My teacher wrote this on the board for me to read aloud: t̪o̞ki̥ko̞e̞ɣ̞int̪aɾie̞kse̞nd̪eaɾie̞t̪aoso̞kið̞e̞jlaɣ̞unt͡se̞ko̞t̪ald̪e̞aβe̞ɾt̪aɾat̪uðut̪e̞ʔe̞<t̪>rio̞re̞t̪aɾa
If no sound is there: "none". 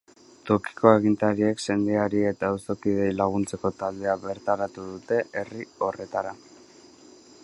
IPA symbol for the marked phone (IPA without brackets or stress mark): none